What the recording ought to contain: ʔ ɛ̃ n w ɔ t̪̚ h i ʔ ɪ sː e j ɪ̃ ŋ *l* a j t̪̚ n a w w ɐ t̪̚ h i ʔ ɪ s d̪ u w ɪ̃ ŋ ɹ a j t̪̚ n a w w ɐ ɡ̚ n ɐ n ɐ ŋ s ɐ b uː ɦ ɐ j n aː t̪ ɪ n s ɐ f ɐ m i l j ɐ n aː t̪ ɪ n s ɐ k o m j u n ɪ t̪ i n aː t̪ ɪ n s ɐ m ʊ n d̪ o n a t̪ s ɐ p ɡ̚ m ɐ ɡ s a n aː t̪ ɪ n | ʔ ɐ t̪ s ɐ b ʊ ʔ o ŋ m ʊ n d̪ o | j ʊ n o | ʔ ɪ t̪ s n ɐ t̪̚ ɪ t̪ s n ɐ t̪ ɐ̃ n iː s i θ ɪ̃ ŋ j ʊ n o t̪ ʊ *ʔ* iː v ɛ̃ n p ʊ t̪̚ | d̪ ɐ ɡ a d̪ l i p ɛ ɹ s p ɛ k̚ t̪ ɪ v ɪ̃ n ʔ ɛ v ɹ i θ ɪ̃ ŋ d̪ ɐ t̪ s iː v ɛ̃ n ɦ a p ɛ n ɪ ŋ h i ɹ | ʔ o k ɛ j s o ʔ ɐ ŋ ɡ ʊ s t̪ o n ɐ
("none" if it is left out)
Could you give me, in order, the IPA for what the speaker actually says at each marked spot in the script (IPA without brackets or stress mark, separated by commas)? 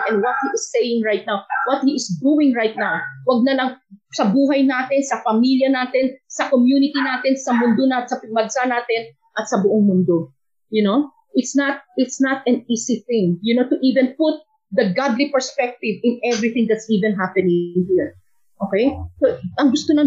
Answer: ɹ, ʔ